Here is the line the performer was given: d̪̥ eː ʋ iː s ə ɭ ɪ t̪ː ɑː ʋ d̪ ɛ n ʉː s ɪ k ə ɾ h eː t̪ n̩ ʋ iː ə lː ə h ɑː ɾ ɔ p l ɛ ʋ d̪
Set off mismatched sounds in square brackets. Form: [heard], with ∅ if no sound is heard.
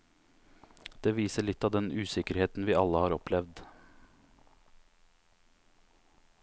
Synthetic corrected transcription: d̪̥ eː ʋ iː s ə ɭ ɪ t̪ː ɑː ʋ d̪ ɛ n ʉː s ɪ k ə ɾ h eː t̪ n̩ ʋ iː [ɑ] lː ə h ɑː ɾ ɔ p l ɛ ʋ d̪